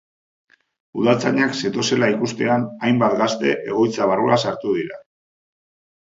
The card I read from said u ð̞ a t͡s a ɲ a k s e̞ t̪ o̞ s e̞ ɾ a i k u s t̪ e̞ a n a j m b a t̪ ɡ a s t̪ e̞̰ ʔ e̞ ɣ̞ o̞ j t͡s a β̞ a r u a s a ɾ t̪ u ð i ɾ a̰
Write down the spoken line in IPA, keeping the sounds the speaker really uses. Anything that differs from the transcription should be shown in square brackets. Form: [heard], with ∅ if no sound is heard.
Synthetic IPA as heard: u ð̞ a t͡s a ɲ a k s e̞ t̪ o̞ s e̞ [l] a i k u s t̪ e̞ a n a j m b a t̪ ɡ a s t̪ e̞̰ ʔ e̞ ɣ̞ o̞ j t͡s a β̞ a r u a s a ɾ t̪ u ð i ɾ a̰